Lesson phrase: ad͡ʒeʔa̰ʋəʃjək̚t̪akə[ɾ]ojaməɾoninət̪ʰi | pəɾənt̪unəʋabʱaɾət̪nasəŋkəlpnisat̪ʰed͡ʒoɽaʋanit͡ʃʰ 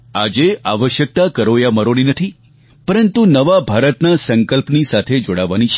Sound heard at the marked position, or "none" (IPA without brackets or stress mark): ɾ